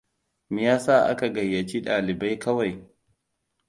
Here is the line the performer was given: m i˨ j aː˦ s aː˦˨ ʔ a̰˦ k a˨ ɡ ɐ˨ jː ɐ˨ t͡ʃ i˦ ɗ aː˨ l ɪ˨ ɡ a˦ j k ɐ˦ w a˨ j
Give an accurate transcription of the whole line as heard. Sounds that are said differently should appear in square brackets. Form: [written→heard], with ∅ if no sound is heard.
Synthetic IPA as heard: m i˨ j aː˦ s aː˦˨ ʔ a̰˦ k a˨ ɡ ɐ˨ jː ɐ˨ t͡ʃ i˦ ɗ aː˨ l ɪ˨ [ɡ→b] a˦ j k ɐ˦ w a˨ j